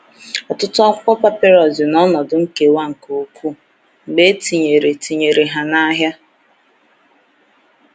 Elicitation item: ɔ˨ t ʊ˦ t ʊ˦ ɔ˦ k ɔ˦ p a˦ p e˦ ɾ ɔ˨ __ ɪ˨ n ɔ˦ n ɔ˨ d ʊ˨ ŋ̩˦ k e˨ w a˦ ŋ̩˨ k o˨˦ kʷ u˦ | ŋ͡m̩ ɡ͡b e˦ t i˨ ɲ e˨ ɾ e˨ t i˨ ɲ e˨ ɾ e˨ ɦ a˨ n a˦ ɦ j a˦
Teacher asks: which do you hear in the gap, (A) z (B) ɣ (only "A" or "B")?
A